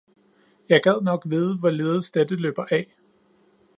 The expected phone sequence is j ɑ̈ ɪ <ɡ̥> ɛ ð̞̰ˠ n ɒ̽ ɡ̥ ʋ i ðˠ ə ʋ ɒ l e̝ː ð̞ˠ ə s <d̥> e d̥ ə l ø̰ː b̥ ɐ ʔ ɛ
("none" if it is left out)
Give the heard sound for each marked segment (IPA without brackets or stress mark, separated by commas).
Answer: ɡ̥, d̥